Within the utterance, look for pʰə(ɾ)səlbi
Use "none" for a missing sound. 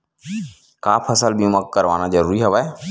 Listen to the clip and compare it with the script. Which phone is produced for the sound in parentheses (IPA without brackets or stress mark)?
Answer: none